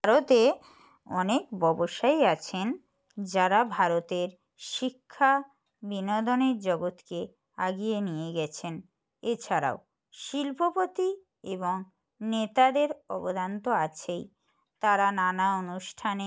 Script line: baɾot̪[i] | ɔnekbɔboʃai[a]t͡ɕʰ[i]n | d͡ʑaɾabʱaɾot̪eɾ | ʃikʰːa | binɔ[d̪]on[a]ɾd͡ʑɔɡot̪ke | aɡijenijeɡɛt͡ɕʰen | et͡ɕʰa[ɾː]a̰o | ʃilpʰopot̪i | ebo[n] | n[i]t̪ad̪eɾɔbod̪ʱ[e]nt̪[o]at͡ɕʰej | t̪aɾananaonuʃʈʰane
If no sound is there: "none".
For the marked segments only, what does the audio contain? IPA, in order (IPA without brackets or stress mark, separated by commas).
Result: e, a, e, d̪, e, ɾ, ŋ, e, a, o